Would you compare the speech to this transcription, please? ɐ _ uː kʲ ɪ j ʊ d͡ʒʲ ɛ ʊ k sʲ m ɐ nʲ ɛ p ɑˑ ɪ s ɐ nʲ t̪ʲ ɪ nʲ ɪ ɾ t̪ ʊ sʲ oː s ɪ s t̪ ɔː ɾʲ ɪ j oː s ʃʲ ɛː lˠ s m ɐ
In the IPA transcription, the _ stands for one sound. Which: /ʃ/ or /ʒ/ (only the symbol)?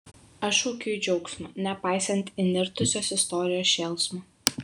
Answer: ʃ